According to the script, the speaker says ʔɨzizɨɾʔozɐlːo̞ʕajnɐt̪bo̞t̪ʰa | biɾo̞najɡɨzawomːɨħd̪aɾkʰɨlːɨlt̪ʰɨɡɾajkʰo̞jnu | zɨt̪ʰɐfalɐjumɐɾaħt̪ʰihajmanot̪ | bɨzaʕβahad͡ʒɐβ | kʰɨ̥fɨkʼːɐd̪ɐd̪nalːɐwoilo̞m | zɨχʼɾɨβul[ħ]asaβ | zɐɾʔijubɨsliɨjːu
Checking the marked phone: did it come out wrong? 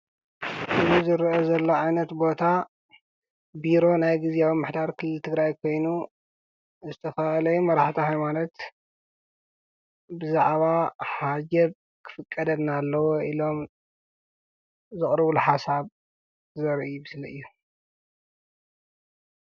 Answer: no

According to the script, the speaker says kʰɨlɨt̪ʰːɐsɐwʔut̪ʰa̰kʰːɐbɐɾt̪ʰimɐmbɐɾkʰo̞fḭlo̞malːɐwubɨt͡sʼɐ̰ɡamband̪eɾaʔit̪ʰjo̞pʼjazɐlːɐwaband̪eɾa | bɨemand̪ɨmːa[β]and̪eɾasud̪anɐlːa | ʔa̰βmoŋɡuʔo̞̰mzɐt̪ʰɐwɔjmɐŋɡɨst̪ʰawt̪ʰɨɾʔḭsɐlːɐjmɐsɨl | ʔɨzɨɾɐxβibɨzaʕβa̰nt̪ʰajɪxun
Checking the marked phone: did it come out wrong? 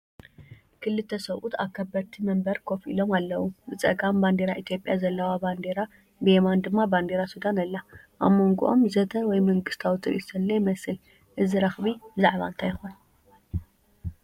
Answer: yes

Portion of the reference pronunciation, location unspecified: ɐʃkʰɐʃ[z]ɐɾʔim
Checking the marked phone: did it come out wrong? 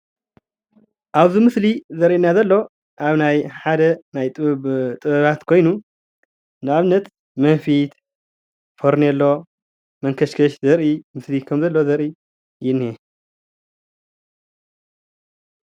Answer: no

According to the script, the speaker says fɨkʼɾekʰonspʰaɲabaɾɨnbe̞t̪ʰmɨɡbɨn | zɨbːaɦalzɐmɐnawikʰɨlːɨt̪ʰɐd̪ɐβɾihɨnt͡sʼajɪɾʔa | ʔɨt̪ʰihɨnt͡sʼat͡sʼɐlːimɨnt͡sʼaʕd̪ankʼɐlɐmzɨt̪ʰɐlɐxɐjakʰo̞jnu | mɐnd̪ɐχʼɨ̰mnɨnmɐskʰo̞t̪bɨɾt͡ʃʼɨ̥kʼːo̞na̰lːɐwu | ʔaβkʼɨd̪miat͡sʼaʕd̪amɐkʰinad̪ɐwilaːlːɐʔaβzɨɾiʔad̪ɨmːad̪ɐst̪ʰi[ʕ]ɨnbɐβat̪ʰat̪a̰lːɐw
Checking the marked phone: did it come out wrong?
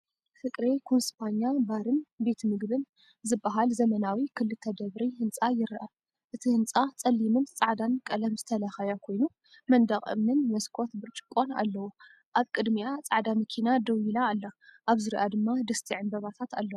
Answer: no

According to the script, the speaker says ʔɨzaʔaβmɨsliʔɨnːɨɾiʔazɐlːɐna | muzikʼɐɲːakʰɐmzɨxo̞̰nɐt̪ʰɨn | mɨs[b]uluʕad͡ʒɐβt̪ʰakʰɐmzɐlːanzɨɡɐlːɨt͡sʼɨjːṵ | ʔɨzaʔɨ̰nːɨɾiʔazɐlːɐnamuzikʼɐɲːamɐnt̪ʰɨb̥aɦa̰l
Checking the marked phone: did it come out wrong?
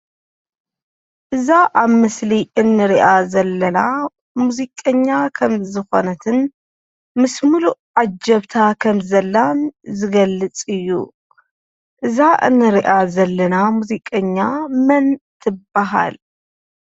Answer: yes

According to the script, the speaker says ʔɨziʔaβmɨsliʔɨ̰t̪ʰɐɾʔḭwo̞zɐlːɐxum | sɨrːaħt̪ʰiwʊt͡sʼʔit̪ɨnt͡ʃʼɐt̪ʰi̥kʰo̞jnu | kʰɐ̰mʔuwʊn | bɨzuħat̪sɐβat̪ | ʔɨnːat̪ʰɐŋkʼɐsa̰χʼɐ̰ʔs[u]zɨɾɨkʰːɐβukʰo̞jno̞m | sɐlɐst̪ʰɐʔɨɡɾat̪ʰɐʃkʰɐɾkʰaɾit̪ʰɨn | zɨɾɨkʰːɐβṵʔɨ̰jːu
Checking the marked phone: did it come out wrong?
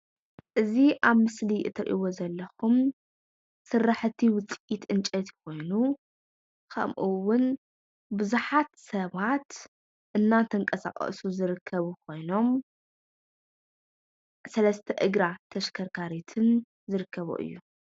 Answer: no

